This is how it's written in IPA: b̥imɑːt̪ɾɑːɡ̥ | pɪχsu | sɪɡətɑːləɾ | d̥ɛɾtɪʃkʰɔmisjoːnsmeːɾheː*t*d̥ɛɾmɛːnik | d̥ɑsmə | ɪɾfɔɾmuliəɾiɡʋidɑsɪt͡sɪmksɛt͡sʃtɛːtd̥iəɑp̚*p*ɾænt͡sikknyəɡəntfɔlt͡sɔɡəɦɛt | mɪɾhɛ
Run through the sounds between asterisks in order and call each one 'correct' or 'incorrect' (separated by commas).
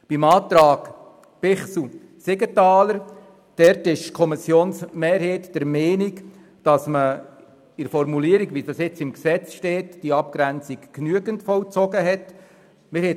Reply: correct, incorrect